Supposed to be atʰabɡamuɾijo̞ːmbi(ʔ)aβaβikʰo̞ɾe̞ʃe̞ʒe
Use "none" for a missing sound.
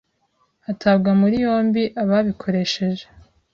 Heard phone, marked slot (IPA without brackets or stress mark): ʔ